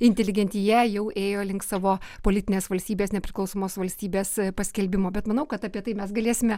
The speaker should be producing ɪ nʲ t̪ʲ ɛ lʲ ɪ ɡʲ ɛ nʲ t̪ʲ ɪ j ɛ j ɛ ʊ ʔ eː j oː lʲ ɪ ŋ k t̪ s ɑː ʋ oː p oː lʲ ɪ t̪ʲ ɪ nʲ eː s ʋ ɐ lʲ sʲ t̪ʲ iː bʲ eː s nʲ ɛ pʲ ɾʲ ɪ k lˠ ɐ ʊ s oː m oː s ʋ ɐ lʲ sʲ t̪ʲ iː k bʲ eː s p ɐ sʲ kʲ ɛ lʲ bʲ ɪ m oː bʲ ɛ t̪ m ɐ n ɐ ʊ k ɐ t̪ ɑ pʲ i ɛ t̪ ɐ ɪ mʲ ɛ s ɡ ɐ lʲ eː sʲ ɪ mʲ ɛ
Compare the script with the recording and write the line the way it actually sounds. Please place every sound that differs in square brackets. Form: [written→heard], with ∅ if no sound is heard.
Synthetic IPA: ɪ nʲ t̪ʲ ɛ lʲ ɪ ɡʲ ɛ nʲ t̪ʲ ɪ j ɛ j ɛ ʊ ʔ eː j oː lʲ ɪ ŋ k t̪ s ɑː ʋ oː p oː lʲ ɪ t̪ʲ ɪ nʲ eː s ʋ ɐ lʲ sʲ t̪ʲ iː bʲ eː s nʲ ɛ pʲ ɾʲ ɪ k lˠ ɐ ʊ s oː m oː s ʋ ɐ lʲ sʲ t̪ʲ iː [k→∅] bʲ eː s p ɐ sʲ kʲ ɛ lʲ bʲ ɪ m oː bʲ ɛ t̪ m ɐ n ɐ ʊ k ɐ t̪ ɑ pʲ i ɛ t̪ ɐ ɪ mʲ ɛ s ɡ ɐ lʲ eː sʲ ɪ mʲ ɛ